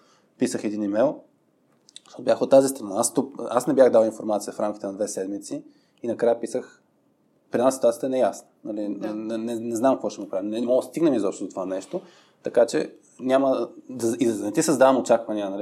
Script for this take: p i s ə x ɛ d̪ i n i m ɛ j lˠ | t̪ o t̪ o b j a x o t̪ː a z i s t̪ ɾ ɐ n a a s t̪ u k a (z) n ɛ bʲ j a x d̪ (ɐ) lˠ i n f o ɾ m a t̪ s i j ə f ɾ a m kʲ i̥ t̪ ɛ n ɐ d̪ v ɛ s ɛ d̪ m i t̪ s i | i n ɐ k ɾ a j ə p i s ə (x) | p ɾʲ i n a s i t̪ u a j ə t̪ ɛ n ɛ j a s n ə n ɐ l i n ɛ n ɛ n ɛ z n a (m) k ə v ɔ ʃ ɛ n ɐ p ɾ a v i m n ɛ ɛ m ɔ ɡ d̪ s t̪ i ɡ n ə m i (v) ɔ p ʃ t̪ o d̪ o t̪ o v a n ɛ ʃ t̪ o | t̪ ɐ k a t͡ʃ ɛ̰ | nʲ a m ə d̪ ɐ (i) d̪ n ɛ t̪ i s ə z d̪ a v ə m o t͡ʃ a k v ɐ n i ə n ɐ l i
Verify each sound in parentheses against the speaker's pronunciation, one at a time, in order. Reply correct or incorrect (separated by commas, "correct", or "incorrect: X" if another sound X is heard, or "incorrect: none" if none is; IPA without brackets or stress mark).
incorrect: s, incorrect: a, correct, correct, incorrect: z, correct